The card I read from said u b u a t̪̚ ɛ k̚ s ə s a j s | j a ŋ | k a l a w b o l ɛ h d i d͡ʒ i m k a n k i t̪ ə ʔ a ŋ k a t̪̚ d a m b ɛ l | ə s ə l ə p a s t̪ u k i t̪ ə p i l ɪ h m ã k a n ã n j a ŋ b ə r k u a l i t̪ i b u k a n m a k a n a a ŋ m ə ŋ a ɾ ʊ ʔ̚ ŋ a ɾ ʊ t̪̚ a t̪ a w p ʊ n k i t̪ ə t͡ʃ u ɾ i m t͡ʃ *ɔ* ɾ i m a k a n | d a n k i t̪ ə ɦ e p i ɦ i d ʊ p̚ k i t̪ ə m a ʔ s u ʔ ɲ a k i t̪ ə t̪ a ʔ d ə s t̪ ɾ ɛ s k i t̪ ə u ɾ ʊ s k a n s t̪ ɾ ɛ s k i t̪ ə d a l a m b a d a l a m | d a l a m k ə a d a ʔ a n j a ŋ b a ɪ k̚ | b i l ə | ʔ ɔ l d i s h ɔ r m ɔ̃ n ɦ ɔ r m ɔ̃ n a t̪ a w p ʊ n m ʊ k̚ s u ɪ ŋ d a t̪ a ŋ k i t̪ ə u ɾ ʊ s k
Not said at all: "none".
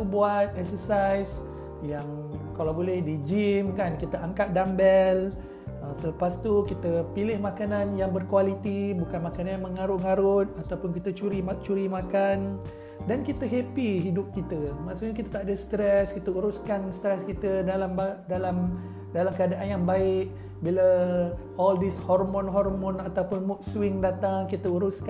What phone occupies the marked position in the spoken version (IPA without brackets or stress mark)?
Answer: u